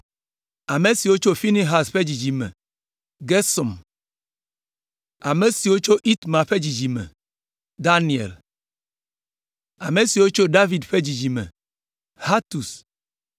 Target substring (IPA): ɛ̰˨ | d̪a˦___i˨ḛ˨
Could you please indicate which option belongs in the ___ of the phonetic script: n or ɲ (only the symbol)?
n